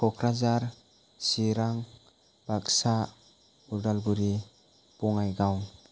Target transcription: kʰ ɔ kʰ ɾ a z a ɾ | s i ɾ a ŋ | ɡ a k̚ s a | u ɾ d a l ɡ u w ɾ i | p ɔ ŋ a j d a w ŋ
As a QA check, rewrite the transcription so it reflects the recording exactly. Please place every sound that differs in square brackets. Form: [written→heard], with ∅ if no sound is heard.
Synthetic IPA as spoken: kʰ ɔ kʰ ɾ a z a ɾ | s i ɾ a ŋ | [ɡ→b] a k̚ s a | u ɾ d a l ɡ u [w→∅] ɾ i | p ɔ ŋ a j [d→ɡ] a w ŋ